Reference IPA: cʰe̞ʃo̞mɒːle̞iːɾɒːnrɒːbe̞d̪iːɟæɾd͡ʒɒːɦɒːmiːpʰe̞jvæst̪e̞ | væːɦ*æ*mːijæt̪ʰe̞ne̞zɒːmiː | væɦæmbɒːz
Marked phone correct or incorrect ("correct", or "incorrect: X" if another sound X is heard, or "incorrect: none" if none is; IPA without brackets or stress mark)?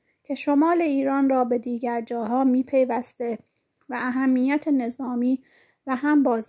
correct